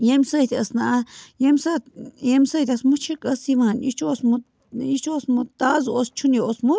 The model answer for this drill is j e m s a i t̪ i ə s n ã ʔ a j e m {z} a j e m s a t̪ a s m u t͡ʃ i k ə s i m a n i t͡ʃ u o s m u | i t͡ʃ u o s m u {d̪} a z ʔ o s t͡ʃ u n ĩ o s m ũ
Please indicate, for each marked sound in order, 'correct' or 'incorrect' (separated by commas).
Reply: incorrect, incorrect